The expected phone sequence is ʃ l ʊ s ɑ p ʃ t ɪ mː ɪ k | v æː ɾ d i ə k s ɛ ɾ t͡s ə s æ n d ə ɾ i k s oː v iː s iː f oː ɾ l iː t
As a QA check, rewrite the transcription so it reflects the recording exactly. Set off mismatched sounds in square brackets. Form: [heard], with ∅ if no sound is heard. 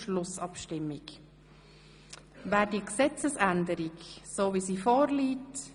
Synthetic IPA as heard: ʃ l ʊ s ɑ p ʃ t ɪ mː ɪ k | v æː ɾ d i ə k s ɛ [∅] t͡s ə s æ n d ə ɾ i k s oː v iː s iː f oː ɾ l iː t

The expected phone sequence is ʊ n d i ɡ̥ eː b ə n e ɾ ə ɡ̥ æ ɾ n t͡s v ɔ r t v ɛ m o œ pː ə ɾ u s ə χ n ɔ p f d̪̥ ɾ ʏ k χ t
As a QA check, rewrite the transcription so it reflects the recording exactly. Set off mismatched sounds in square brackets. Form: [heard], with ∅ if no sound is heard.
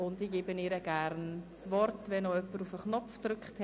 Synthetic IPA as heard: ʊ n d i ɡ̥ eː b ə n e ɾ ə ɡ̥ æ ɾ n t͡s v ɔ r t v ɛ [n] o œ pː ə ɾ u [f] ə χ n ɔ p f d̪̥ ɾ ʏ k χ t

